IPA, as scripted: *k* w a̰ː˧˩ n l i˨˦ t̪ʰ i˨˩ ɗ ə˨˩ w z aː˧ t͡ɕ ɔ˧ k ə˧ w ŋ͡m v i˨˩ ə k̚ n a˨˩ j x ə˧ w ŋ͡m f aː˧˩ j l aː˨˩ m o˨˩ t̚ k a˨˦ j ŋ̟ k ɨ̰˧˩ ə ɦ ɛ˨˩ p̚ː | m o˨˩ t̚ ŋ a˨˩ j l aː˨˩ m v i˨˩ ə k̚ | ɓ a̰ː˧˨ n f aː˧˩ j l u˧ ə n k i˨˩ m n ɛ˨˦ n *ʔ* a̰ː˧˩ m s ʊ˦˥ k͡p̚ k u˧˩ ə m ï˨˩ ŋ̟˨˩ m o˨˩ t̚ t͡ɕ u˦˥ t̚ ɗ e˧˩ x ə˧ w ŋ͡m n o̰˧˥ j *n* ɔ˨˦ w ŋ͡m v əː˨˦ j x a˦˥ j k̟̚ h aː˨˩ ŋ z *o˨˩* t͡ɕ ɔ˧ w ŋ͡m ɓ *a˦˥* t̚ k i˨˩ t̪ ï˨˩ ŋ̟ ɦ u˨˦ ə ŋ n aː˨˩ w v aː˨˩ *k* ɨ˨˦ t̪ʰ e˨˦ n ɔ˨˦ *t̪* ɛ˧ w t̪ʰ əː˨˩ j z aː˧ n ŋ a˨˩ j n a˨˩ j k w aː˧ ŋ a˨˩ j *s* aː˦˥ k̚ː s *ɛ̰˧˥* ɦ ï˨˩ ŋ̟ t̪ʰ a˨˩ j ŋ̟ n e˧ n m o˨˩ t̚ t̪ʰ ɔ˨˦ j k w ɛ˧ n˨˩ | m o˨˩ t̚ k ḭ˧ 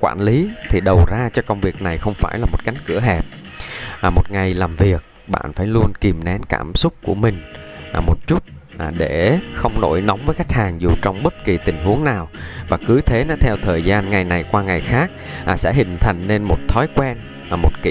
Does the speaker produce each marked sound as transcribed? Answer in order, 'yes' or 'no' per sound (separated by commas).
yes, no, yes, no, no, yes, no, no, yes